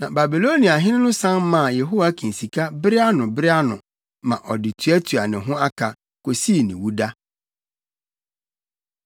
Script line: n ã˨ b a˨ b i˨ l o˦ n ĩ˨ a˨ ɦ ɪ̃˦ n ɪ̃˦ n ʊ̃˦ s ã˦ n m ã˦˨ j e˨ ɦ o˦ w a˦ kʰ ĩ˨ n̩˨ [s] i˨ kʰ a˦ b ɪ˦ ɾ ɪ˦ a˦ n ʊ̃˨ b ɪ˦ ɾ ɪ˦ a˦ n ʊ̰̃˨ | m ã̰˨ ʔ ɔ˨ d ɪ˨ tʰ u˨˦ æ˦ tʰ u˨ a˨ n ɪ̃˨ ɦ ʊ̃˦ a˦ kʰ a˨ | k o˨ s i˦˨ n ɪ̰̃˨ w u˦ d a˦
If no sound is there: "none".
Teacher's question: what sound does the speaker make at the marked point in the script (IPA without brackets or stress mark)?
s